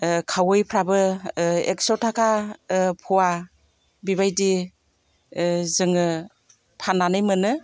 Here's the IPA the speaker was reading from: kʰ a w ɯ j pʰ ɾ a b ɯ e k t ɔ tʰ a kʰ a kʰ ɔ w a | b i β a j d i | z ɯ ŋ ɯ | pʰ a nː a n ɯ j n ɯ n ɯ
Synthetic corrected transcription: kʰ a w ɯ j pʰ ɾ a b ɯ e k s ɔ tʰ a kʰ a pʰ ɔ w a | b i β a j d i | z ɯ ŋ ɯ | pʰ a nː a n ɯ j m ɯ n ɯ